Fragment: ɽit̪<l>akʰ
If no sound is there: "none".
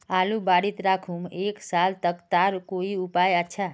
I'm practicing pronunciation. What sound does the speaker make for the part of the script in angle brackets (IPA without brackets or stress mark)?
ɾ